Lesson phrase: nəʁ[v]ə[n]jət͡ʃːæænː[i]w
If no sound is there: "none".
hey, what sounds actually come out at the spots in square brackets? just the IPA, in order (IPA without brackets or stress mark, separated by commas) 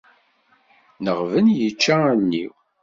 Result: v, n, i